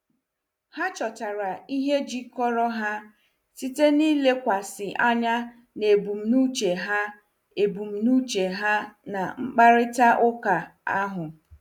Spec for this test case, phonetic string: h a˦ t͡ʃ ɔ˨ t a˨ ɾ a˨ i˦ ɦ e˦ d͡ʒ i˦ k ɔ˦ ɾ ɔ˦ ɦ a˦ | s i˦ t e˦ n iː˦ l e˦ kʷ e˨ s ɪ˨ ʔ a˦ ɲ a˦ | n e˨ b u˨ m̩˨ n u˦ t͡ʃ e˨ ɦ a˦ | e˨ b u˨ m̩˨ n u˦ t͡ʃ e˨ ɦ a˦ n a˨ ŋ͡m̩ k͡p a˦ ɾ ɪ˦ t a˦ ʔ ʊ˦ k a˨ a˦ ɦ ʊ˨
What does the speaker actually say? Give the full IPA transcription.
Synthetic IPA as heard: h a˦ t͡ʃ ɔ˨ t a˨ ɾ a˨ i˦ ɦ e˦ d͡ʒ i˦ k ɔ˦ ɾ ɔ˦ ɦ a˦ | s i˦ t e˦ n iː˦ l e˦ kʷ a˨ s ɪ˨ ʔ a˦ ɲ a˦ | n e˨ b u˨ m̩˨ n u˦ t͡ʃ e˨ ɦ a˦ | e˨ b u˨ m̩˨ n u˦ t͡ʃ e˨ ɦ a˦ n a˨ ŋ͡m̩ k͡p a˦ ɾ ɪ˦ t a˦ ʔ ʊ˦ k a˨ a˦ ɦ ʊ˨